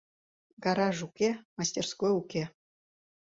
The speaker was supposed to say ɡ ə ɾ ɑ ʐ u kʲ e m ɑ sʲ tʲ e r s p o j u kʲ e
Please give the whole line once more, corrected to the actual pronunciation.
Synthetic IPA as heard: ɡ ɑ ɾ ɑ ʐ u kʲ e m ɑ sʲ tʲ e r s k o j u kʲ e

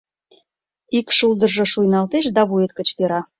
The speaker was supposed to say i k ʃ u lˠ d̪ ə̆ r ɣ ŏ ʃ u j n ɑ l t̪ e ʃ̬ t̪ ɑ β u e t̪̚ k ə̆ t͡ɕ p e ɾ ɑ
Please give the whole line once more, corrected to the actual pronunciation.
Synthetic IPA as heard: i k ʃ u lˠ d̪ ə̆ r ʒ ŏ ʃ u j n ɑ l t̪ e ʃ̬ d̪ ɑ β u e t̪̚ k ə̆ t͡ɕ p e ɾ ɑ

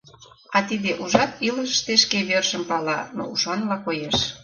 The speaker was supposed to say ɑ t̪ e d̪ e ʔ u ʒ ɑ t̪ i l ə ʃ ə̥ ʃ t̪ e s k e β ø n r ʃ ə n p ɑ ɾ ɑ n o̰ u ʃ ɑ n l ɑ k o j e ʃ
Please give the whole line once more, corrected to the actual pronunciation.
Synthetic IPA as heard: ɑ t̪ i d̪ e ʔ u ʒ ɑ t̪ i l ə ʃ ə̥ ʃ t̪ e ʃ k e β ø r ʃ ə m p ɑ l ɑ n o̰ u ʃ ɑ n l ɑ k o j e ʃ

